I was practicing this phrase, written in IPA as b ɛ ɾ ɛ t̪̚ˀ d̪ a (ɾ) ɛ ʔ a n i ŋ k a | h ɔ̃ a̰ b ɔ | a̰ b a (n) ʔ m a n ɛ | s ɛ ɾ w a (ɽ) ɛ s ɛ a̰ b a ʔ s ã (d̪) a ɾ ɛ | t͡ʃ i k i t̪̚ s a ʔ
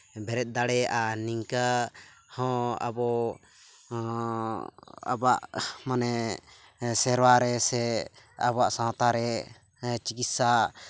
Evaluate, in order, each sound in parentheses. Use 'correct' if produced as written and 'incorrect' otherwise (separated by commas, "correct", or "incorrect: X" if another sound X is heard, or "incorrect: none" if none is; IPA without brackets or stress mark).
incorrect: ɽ, incorrect: none, incorrect: ɾ, incorrect: t̪